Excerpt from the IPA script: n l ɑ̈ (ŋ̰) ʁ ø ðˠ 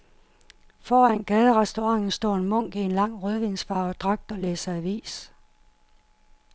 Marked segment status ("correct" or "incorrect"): correct